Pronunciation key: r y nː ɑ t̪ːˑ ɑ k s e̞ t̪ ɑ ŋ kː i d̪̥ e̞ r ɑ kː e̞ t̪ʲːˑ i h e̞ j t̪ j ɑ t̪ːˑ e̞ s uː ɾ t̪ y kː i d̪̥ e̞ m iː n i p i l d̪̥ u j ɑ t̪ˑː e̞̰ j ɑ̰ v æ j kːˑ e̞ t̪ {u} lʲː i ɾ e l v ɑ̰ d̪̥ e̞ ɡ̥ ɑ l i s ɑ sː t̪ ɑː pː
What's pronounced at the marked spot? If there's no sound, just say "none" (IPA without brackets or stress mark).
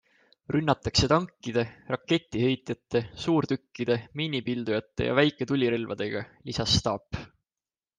u